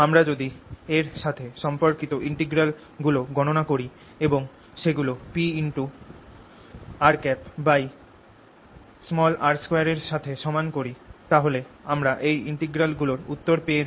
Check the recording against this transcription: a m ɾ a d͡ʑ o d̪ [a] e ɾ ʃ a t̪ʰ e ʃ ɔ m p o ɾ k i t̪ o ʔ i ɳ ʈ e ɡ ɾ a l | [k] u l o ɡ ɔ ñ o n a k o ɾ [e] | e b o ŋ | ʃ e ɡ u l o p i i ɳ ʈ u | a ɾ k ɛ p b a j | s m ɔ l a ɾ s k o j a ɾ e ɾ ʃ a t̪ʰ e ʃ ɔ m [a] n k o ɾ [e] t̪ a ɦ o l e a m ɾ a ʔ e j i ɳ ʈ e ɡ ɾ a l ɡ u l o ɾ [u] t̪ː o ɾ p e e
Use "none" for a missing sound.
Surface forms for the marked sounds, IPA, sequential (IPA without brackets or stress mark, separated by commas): i, ɡ, i, a, i, u